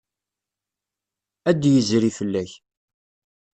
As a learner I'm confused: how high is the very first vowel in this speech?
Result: low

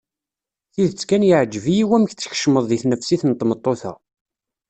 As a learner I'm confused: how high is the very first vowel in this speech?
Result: high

